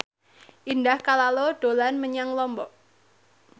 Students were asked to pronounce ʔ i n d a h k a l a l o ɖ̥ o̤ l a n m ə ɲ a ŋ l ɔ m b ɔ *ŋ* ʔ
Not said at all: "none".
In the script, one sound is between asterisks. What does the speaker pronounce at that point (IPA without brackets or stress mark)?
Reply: none